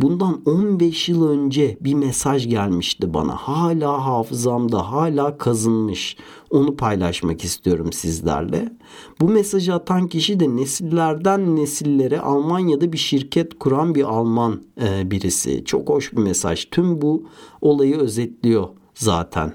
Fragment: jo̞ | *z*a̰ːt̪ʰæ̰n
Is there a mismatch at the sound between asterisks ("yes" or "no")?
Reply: no